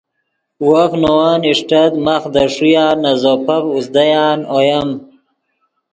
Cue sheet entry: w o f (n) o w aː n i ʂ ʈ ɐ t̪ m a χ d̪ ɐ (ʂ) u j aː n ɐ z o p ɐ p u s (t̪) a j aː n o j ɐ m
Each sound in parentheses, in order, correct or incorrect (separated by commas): correct, correct, incorrect